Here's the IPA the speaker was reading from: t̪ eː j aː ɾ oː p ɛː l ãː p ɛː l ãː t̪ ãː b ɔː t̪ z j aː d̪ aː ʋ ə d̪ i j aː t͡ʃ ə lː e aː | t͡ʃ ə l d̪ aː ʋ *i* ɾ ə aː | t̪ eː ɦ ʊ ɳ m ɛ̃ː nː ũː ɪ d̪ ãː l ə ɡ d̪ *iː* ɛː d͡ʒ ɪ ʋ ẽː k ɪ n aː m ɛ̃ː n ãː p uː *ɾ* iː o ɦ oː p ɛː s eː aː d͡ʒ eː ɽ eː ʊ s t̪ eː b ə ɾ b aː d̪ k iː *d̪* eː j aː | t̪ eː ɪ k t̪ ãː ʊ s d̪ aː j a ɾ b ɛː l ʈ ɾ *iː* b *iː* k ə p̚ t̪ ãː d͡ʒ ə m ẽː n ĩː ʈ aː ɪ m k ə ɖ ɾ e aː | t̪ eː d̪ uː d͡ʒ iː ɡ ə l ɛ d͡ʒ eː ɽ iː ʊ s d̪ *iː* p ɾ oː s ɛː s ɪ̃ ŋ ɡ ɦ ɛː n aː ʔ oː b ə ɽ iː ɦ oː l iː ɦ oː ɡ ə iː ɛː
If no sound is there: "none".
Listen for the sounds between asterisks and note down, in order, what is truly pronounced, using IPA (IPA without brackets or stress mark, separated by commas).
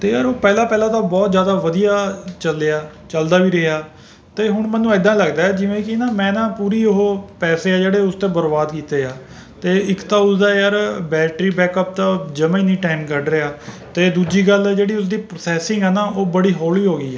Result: iː, aː, ɾ, t̪, iː, ɛː, iː